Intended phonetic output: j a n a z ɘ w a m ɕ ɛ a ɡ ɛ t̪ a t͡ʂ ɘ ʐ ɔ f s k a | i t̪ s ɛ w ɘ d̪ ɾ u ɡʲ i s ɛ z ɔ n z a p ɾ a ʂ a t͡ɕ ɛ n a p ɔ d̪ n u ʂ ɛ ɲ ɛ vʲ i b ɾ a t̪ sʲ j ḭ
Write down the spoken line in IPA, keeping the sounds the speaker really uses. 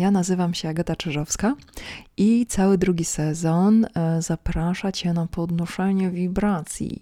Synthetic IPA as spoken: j a n a z ɘ v a m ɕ ɛ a ɡ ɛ t̪ a t͡ʂ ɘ ʐ ɔ f s k a | i t̪ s a w ɘ d̪ ɾ u ɡʲ i s ɛ z ɔ n z a p ɾ a ʂ a t͡ɕ ɛ n a p ɔ d̪ n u ʂ ɛ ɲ ɛ vʲ i b ɾ a t̪ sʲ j ḭ